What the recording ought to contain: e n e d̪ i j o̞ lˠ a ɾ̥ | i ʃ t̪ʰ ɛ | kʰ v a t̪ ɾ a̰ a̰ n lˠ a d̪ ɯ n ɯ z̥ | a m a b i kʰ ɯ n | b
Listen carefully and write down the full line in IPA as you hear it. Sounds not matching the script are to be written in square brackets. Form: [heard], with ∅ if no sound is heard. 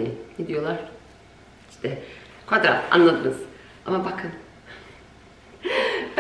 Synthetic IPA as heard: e n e d̪ i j o̞ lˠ a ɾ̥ | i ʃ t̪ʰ ɛ | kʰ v a [d̪] ɾ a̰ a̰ n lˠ a d̪ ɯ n ɯ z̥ | a m a b [a] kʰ ɯ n | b